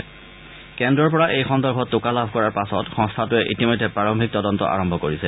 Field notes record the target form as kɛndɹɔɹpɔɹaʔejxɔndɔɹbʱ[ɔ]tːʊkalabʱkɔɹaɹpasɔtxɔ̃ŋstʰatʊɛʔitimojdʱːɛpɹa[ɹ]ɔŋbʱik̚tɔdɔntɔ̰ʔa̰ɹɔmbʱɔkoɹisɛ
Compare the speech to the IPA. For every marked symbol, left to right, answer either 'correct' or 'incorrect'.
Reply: correct, correct

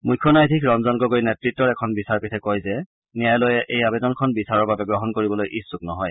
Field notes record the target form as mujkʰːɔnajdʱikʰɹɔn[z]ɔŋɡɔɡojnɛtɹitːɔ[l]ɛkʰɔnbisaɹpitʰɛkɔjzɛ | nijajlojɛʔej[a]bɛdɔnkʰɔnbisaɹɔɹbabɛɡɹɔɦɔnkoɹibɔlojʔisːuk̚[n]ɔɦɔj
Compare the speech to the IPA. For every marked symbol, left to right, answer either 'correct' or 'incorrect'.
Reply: correct, incorrect: ɹ, correct, correct

